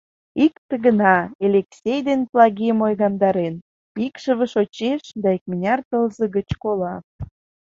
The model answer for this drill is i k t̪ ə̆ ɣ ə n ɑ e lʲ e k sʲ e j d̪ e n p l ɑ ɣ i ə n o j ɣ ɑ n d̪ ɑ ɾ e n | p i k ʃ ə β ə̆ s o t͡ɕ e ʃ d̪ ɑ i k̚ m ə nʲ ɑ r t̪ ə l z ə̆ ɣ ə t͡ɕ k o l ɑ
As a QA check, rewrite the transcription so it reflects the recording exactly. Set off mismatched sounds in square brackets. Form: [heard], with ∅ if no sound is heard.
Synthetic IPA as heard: i k t̪ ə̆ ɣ ə n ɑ e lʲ e k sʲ e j d̪ e n p l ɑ ɣ i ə [m] o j ɣ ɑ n d̪ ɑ ɾ e n | p i k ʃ ə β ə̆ [ʃ] o t͡ɕ e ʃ d̪ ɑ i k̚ m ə nʲ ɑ r t̪ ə l z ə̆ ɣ ə t͡ɕ k o l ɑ